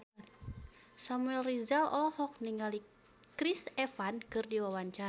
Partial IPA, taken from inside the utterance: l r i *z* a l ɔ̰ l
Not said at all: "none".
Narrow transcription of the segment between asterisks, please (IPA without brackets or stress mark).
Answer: z